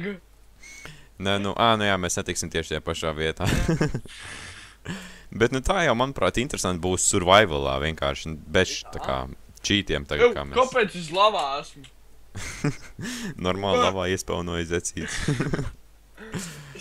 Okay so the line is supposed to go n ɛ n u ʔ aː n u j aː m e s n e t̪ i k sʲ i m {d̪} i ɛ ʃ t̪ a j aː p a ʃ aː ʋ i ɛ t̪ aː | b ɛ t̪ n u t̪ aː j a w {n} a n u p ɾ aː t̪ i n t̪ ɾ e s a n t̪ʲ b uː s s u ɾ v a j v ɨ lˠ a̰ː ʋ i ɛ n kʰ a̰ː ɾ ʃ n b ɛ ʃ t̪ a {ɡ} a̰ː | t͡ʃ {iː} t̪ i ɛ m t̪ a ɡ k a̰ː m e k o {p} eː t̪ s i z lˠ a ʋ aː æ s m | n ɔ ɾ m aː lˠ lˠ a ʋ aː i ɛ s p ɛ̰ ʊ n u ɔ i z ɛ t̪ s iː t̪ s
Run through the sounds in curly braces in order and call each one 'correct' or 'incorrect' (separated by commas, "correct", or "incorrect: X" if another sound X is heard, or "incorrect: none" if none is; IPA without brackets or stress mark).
incorrect: t̪, incorrect: m, incorrect: k, correct, correct